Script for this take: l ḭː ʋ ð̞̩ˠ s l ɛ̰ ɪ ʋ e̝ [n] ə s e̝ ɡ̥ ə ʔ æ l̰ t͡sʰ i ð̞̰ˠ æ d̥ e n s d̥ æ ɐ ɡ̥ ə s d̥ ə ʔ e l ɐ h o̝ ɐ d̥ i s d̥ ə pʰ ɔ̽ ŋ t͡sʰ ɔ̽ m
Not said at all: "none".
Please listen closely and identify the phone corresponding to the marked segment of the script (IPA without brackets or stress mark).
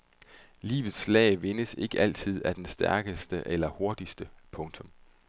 n